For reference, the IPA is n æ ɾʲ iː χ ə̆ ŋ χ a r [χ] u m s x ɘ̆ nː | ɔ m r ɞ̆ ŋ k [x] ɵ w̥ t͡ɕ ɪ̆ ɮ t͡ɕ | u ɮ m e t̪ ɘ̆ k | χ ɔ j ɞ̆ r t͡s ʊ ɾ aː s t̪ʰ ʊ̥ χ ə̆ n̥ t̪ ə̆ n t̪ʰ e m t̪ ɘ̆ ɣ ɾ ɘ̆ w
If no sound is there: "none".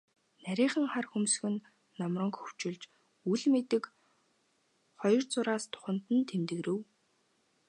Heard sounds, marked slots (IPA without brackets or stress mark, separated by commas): x, x